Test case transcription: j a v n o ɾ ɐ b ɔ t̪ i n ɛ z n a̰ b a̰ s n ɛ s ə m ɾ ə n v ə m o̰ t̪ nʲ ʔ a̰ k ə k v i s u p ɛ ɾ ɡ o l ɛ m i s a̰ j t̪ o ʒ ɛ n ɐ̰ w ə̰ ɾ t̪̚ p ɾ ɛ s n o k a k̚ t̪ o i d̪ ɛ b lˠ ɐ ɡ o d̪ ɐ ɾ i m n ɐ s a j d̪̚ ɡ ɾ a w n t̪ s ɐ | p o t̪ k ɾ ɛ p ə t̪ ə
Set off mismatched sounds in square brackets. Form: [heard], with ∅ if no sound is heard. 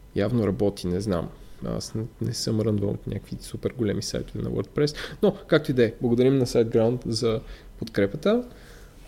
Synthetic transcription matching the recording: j a v n o ɾ ɐ b ɔ t̪ i n ɛ z n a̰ [m] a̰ s n ɛ s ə m ɾ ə n v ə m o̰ t̪ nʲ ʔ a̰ k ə k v i s u p ɛ ɾ ɡ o l ɛ m i s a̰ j t̪ o [v] ɛ n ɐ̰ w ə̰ ɾ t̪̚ p ɾ ɛ s n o k a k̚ t̪ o i d̪ ɛ b lˠ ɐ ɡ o d̪ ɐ ɾ i m n ɐ s a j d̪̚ ɡ ɾ a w n t̪ [z] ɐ | p o t̪ k ɾ ɛ p ə t̪ ə